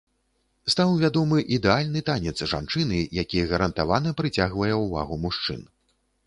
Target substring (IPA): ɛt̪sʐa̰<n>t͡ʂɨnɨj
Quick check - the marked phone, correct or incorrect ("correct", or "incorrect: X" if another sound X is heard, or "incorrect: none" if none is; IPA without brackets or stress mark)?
correct